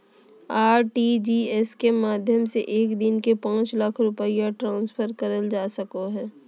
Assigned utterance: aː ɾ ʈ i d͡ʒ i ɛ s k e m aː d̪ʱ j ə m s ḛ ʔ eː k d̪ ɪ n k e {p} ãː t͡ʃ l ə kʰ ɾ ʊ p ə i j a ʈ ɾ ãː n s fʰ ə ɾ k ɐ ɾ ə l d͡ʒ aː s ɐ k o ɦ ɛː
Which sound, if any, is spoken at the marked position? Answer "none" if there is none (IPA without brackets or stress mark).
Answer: p